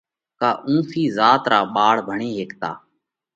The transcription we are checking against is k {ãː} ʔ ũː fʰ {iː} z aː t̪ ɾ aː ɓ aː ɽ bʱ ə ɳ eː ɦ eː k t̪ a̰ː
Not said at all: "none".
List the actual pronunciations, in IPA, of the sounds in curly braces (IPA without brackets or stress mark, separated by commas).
aː, iː